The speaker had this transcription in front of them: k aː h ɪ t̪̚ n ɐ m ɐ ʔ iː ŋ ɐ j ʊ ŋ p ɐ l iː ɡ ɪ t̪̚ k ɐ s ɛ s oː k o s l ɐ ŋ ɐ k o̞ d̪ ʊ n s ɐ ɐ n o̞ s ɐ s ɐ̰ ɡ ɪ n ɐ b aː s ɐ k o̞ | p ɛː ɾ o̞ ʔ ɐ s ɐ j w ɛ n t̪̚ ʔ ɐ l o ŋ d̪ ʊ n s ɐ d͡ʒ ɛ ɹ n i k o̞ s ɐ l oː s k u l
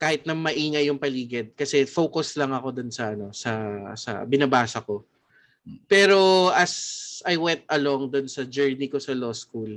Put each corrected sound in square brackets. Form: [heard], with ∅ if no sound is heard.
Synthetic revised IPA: k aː h ɪ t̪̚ n ɐ m ɐ ʔ iː ŋ ɐ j ʊ ŋ p ɐ l iː ɡ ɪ [d̪̚] k ɐ s ɛ [f] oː k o s l ɐ ŋ ɐ k o̞ d̪ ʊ n s ɐ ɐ n o̞ s ɐ s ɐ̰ [b] ɪ n ɐ b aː s ɐ k o̞ | p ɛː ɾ o̞ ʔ ɐ s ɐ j w ɛ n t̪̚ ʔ ɐ l o ŋ d̪ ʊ n s ɐ d͡ʒ ɛ ɹ n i k o̞ s ɐ l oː s k u l